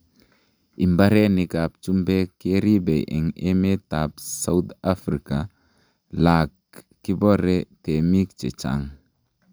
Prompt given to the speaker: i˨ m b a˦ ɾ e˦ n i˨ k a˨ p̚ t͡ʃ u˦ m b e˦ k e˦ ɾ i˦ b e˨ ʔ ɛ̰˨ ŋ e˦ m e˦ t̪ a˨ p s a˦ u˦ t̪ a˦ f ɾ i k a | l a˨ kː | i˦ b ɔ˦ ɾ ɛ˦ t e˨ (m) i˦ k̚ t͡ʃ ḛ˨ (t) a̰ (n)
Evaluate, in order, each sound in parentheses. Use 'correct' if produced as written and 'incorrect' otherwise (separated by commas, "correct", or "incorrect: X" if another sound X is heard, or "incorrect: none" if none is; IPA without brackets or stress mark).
correct, incorrect: t͡ʃ, incorrect: ŋ